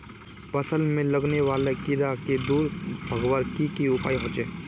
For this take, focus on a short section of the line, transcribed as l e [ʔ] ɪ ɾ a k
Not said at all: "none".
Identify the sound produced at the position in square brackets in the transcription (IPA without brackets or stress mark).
k